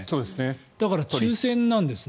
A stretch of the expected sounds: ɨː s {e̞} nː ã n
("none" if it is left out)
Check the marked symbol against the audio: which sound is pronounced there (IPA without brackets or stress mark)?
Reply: ẽ̞